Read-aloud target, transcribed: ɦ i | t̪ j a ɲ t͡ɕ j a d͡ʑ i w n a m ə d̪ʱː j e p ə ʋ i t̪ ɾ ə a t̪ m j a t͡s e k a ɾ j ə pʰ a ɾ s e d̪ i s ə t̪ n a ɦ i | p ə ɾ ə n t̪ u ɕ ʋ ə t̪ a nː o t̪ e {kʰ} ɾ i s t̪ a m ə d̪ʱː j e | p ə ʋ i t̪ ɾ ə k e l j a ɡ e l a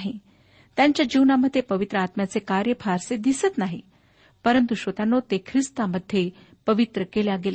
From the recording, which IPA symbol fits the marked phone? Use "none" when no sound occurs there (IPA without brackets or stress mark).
kʰ